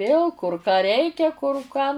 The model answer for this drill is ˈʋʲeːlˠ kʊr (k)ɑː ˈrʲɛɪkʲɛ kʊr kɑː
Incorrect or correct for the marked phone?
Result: correct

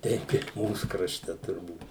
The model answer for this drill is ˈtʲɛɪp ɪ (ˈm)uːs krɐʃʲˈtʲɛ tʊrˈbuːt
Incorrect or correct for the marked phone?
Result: correct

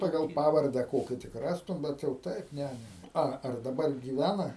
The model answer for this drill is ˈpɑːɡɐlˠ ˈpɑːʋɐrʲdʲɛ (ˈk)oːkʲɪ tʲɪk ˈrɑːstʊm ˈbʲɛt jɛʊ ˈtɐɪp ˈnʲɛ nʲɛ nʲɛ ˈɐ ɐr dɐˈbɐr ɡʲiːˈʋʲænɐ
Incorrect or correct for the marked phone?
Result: correct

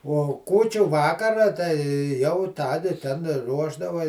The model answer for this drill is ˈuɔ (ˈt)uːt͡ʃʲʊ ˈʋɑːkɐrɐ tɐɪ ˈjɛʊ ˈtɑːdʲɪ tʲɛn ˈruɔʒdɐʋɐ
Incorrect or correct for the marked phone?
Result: incorrect: k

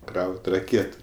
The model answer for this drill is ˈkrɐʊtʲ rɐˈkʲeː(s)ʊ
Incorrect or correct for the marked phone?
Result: incorrect: t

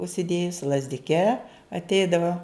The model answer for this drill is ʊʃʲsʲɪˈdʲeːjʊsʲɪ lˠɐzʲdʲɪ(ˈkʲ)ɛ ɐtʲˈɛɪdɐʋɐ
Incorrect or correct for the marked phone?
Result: correct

